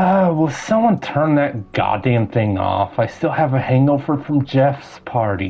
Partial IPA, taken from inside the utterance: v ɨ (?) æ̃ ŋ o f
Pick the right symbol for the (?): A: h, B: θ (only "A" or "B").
A